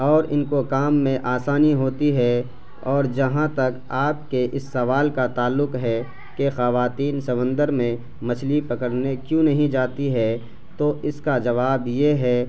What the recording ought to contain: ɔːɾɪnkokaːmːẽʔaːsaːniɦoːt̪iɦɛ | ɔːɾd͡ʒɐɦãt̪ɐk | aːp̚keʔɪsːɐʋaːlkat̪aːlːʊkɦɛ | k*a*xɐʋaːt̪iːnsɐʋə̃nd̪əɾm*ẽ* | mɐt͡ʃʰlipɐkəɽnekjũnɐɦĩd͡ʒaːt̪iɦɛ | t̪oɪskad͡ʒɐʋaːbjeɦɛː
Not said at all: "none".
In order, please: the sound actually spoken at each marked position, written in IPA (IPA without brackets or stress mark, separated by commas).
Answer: e, ẽ